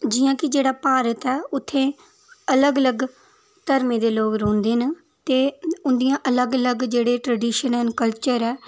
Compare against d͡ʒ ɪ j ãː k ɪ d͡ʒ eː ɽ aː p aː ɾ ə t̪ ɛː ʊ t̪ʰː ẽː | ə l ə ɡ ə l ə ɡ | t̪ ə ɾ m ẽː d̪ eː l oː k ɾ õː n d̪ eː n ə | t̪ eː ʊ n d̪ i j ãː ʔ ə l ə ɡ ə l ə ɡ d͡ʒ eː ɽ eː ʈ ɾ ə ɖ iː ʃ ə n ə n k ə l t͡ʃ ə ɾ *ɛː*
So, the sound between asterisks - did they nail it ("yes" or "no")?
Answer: yes